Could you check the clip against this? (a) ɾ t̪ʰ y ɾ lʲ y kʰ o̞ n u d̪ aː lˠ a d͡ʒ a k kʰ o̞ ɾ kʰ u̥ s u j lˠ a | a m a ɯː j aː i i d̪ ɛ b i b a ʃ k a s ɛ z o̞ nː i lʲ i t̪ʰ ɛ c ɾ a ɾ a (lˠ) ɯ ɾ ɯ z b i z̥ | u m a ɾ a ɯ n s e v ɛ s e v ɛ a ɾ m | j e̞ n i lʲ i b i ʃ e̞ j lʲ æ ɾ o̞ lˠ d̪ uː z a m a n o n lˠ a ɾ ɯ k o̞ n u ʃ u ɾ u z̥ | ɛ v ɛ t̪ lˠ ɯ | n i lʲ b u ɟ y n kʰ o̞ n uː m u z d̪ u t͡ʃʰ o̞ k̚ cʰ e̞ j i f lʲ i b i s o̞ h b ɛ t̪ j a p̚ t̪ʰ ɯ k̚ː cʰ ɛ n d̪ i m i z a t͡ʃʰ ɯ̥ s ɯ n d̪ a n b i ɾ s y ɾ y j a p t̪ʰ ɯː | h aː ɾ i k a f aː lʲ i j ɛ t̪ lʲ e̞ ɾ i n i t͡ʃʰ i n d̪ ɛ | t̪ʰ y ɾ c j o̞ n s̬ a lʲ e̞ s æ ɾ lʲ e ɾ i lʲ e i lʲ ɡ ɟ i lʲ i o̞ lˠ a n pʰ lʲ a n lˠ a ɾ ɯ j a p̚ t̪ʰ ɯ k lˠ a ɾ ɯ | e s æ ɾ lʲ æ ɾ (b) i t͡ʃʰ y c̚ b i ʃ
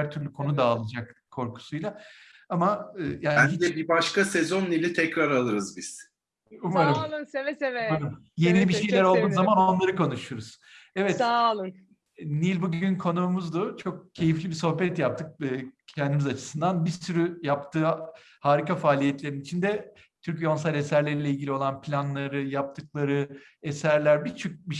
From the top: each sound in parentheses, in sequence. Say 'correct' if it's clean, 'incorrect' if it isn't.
incorrect, correct, correct

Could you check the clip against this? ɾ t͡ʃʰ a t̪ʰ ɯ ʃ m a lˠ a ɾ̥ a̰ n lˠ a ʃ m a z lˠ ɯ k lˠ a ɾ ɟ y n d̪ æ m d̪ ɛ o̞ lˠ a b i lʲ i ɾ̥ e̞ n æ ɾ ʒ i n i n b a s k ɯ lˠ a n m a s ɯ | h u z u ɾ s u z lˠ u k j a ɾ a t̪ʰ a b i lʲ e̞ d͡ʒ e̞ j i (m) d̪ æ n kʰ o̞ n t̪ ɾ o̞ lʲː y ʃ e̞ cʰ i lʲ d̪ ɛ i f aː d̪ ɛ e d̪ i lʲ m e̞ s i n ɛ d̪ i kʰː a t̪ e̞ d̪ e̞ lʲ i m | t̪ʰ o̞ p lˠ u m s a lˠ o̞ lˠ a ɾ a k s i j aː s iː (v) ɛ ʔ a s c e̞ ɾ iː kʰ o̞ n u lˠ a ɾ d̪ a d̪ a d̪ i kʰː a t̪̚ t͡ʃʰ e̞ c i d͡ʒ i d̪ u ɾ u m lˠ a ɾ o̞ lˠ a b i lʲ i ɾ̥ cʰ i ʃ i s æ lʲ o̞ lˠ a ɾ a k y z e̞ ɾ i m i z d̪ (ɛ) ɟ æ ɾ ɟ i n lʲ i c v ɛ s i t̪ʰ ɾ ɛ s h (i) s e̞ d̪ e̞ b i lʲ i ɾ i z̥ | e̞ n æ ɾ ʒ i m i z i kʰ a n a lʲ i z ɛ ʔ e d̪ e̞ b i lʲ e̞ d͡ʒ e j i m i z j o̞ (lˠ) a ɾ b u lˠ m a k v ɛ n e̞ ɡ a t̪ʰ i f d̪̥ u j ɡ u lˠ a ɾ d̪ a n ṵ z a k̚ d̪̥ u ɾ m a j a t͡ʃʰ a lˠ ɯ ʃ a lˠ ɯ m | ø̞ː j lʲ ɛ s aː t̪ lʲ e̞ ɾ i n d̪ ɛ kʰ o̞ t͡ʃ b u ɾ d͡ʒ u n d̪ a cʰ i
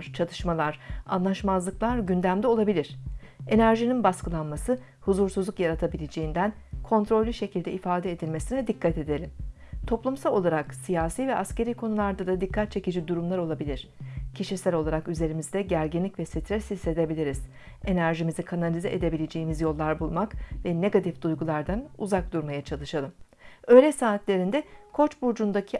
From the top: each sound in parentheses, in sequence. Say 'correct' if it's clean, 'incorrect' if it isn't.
incorrect, correct, correct, correct, incorrect

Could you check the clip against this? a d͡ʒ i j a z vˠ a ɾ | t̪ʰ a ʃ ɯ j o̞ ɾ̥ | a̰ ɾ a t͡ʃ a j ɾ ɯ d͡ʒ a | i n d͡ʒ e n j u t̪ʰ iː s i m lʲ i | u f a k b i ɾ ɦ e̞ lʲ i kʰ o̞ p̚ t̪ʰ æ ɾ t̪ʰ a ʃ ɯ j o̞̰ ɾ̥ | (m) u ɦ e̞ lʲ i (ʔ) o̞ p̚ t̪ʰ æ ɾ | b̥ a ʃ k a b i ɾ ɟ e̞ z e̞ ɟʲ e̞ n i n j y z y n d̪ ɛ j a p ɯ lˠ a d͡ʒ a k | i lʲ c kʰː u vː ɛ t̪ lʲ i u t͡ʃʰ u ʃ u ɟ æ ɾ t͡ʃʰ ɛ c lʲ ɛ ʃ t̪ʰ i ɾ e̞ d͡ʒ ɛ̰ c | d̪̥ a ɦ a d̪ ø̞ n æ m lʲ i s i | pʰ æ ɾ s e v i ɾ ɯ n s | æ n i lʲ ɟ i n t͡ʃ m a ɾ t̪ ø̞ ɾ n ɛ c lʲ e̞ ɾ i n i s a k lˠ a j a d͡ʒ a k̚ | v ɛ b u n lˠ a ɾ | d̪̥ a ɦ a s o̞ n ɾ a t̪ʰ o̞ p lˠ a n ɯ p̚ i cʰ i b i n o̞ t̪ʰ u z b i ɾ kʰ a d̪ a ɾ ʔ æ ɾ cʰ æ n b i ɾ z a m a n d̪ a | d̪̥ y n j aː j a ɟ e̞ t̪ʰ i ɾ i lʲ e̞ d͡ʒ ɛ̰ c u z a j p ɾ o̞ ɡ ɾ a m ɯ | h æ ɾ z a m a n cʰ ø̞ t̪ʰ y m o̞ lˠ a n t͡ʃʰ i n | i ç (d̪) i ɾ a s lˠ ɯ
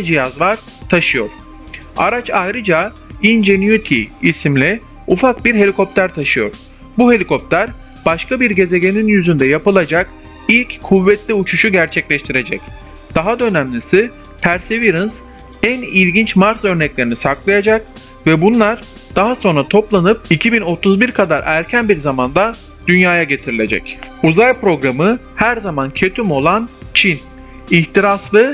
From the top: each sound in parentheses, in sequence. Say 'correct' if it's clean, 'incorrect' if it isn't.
incorrect, incorrect, incorrect

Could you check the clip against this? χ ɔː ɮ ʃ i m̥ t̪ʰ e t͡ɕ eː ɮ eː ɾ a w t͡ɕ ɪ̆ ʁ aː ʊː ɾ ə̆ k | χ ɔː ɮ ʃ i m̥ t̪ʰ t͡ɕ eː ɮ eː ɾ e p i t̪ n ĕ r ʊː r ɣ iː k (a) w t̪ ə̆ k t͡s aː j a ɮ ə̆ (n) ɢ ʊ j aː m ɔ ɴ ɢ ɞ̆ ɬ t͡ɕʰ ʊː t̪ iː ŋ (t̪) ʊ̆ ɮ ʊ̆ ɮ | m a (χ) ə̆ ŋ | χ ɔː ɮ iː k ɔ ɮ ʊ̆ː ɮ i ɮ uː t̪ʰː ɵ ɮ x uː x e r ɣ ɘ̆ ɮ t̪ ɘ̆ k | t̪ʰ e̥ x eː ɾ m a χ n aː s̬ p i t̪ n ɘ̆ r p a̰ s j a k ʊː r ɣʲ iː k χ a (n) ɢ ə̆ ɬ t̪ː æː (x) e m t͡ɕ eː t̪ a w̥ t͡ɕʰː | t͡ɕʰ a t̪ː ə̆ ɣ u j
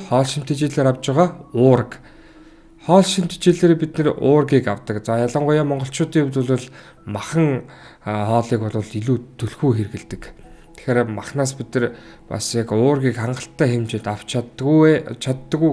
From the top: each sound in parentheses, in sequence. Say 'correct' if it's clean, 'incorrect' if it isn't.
correct, incorrect, correct, correct, incorrect, correct

